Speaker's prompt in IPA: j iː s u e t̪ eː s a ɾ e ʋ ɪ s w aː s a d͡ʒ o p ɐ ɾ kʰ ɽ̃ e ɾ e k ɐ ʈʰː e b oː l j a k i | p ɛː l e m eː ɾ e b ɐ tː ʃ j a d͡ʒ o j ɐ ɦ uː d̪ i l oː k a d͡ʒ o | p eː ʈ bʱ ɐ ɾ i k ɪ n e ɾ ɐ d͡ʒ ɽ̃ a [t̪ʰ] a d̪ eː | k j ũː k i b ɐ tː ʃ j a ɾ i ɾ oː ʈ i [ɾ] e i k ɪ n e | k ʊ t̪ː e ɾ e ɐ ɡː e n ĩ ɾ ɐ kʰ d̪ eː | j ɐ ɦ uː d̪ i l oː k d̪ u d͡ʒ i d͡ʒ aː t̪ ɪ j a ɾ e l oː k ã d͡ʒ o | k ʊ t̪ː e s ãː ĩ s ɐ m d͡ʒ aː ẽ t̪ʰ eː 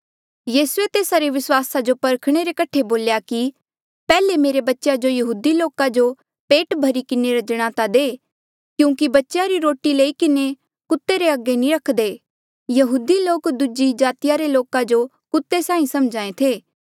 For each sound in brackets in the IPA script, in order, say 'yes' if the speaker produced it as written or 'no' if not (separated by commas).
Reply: no, no